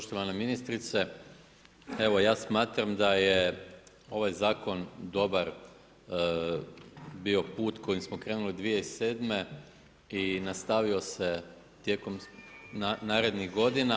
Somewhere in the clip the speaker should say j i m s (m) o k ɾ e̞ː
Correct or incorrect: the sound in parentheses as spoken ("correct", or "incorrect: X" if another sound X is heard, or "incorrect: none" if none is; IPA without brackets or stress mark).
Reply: correct